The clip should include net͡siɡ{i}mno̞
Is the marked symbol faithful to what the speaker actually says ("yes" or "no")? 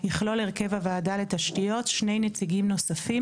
yes